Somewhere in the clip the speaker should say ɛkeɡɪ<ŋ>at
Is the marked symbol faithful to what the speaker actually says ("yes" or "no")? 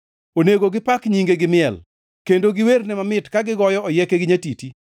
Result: no